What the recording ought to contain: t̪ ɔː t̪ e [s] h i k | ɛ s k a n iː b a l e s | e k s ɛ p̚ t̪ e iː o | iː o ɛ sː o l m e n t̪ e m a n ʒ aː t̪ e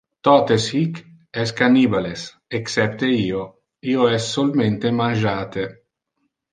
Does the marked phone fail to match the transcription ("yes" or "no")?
no